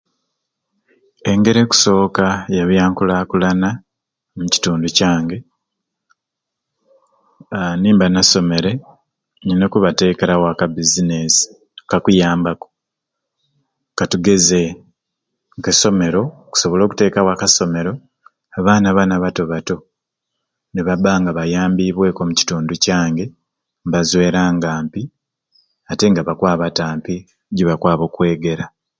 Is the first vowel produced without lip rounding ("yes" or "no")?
yes